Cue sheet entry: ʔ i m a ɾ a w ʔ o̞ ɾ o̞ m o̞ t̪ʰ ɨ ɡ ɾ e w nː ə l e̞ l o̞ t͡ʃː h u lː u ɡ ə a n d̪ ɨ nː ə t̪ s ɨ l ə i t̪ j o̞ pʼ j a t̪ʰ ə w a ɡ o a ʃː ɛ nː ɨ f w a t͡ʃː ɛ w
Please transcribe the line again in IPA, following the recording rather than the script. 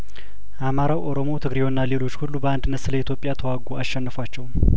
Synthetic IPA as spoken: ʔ a m a ɾ a w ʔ o̞ ɾ o̞ m o̞ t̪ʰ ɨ ɡ ɾ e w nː a l e̞ l o̞ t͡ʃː h u lː u b ə a n d̪ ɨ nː ə t̪ s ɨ l ə i t̪ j o̞ pʼ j a t̪ʰ ə w a ɡ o a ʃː ɛ nː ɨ f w a t͡ʃː ɛ w

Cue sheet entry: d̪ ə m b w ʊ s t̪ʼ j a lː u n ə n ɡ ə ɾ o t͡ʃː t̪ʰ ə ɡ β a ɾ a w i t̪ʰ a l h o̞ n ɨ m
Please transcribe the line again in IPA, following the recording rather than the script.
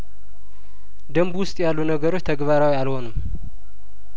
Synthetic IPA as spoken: d̪ ə m b w ʊ s t̪ʼ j a lː u n ə ɡ ə ɾ o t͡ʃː t̪ʰ ə ɡ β a ɾ a w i a l h o̞ n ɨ m

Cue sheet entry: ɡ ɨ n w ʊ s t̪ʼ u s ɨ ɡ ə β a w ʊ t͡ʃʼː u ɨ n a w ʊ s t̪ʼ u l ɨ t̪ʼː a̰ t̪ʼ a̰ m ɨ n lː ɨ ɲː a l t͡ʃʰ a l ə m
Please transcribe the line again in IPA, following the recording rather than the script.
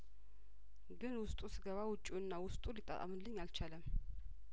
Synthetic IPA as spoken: ɡ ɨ n w ʊ s t̪ʼ u s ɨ ɡ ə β a w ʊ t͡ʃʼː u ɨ nː a w ʊ s t̪ʼ u l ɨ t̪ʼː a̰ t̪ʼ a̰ m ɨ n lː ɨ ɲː a l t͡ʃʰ a l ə m

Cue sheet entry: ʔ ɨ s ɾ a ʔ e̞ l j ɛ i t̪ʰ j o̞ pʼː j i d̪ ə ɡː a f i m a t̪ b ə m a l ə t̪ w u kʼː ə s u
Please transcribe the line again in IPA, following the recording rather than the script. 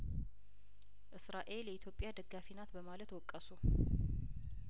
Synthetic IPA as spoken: ʔ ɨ s ɾ a ʔ e̞ l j ɛ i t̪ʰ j o̞ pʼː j a d̪ ə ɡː a f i n a t̪ b ə m a l ə t̪ w ɔ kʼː ə s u

